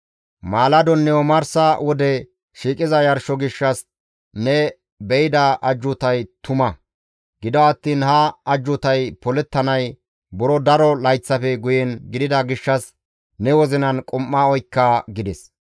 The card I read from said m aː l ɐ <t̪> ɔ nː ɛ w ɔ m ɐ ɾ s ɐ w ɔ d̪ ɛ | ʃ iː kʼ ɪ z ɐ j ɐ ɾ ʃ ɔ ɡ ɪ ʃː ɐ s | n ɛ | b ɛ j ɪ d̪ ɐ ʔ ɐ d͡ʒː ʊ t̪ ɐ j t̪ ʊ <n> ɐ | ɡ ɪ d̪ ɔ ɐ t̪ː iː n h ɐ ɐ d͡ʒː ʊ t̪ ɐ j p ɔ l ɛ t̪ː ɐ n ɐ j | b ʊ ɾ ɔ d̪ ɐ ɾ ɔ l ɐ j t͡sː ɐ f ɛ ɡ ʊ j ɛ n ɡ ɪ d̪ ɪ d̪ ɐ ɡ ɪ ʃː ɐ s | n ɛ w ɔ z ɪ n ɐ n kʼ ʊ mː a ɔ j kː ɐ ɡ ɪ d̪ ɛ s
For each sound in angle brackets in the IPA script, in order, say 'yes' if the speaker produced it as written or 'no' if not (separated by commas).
no, no